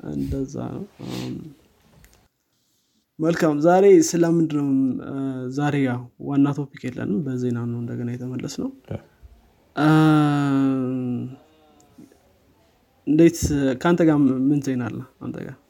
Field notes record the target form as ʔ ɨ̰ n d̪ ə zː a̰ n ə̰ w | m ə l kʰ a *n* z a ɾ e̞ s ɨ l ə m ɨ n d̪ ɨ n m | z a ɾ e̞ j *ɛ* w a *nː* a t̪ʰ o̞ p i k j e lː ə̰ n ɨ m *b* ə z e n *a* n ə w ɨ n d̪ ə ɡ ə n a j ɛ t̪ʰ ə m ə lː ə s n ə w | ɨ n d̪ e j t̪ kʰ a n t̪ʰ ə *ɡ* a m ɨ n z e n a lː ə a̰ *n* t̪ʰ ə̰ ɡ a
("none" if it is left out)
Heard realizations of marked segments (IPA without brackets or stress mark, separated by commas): m, a, nː, b, a, ɡ, n